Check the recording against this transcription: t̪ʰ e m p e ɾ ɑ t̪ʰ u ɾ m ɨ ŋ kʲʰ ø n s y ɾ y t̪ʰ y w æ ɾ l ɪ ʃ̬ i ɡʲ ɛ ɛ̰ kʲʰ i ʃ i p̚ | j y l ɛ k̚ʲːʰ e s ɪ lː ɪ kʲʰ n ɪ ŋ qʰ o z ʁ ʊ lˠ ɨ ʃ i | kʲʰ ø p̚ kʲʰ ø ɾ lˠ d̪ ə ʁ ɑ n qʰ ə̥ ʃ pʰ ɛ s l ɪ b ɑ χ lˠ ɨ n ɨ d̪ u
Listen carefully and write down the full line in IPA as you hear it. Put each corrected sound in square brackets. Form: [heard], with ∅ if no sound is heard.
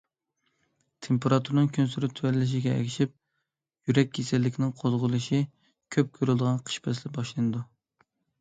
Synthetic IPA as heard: t̪ʰ e m p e ɾ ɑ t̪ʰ u ɾ [n] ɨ ŋ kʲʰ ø n s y ɾ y t̪ʰ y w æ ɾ l ɪ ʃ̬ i ɡʲ ɛ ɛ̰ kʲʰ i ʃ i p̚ | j y [ɾ] ɛ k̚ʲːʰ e s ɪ lː ɪ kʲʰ n ɪ ŋ qʰ o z ʁ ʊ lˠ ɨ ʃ i | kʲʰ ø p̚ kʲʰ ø ɾ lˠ d̪ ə ʁ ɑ n qʰ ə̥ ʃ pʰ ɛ s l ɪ b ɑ [ʃ] lˠ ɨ n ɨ d̪ u